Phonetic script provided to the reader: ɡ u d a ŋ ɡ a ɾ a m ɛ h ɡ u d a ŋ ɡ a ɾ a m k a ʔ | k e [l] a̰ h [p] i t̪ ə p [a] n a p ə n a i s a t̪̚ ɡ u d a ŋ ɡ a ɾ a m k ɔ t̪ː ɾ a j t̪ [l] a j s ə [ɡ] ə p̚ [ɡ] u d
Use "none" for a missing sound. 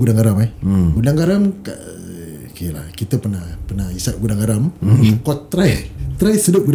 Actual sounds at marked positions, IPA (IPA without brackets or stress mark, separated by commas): l, k, ə, ɾ, d, ɡ